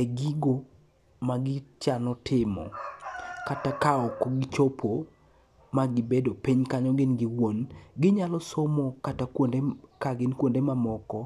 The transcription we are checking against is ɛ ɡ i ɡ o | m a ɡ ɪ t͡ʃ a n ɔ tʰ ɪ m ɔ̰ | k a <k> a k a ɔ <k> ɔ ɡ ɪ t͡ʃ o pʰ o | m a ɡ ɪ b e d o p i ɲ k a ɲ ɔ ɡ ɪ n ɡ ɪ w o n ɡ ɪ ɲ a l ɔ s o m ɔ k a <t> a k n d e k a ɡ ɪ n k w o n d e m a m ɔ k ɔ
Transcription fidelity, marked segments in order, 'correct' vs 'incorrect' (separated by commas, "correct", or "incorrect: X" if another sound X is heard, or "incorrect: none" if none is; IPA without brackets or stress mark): incorrect: t, correct, correct